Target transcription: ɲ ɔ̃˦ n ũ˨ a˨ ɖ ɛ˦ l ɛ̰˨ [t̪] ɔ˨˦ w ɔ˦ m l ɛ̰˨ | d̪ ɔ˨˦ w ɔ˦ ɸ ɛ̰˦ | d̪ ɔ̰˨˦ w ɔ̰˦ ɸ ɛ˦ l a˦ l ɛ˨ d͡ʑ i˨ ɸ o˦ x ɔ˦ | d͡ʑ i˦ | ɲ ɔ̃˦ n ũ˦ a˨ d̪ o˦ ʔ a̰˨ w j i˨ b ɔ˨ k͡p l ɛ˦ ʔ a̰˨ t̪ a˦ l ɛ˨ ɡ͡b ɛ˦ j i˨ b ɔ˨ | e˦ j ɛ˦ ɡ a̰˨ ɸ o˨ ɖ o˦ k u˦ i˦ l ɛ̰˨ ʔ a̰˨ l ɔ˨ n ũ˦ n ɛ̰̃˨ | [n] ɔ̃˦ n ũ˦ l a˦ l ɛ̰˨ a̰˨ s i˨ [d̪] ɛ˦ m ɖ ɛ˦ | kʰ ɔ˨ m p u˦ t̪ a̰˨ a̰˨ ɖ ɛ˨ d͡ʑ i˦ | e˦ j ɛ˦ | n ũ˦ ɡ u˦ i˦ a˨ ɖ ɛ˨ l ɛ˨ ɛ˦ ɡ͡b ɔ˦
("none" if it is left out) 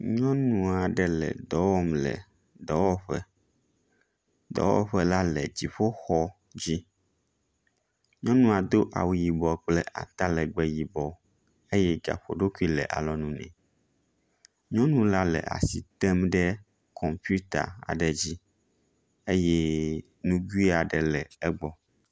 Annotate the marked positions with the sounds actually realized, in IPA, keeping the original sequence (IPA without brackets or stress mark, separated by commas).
d̪, ɲ, t̪